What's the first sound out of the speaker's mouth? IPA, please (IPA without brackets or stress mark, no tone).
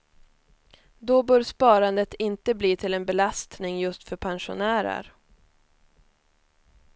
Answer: d̪